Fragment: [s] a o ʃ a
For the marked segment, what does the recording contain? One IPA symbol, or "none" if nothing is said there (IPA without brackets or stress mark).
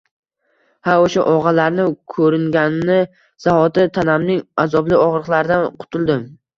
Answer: h